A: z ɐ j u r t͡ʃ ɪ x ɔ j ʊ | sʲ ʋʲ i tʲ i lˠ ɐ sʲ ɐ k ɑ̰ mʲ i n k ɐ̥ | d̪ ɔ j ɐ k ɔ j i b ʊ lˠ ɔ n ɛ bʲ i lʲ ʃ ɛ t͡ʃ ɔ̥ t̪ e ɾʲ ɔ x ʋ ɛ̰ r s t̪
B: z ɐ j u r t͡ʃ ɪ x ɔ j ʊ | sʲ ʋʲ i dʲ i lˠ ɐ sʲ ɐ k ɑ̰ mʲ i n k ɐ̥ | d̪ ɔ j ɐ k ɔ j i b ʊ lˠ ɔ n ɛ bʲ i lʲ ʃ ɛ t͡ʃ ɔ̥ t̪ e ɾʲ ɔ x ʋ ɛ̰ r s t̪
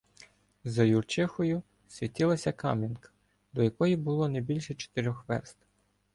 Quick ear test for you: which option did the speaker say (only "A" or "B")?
A